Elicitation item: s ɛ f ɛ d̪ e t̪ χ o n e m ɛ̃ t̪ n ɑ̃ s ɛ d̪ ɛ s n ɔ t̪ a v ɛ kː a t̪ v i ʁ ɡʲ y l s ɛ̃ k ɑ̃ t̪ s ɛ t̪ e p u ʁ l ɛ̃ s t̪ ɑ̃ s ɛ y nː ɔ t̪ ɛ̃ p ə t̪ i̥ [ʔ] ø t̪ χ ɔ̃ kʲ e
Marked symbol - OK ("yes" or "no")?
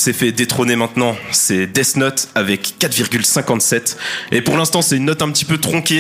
no